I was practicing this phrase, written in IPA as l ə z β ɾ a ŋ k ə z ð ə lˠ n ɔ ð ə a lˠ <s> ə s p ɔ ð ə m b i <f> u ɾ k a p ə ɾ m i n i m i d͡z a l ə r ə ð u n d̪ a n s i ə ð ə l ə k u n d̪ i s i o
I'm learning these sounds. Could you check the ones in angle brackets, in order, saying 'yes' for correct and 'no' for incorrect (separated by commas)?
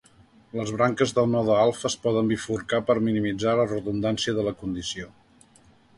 no, yes